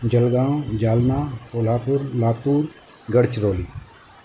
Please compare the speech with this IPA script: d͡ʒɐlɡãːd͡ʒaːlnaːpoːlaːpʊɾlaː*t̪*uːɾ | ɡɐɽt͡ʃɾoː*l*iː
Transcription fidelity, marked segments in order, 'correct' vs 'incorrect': correct, correct

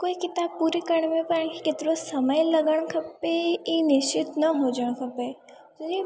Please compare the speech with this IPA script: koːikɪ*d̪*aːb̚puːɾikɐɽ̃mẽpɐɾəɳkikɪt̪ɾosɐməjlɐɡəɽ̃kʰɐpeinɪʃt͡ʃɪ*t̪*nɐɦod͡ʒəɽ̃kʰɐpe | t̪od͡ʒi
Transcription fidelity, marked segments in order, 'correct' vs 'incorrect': incorrect: t̪, correct

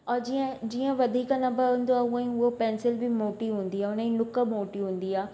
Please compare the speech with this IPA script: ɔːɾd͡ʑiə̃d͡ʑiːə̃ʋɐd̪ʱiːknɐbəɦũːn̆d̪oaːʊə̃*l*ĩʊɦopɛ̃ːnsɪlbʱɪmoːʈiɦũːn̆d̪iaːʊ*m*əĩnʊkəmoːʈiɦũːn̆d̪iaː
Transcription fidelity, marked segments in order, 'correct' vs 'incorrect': incorrect: none, incorrect: n

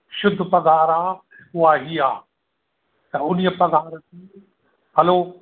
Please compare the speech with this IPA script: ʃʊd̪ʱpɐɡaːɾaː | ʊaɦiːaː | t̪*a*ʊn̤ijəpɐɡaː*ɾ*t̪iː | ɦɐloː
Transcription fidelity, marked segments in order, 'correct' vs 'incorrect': incorrect: ɐ, correct

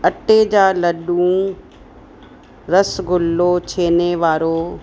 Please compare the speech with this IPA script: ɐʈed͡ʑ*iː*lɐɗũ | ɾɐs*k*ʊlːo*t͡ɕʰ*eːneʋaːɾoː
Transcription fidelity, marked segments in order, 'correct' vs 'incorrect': incorrect: aː, incorrect: ɡ, correct

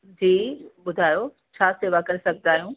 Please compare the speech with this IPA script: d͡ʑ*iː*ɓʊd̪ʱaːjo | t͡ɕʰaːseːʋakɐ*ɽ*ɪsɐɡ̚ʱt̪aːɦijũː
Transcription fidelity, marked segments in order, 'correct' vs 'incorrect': correct, incorrect: ɾ

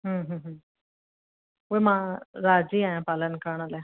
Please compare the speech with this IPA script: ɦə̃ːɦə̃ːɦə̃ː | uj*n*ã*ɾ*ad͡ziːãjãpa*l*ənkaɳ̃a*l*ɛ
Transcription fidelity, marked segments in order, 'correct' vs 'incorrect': incorrect: m, correct, correct, correct

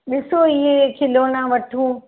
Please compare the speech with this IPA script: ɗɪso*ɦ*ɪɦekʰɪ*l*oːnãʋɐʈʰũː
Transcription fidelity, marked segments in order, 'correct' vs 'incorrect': incorrect: none, correct

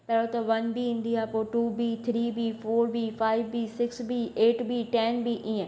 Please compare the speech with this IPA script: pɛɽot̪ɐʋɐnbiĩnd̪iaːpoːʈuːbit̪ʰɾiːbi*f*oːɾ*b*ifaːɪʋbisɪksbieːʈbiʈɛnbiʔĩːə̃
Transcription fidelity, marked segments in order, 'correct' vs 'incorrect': correct, correct

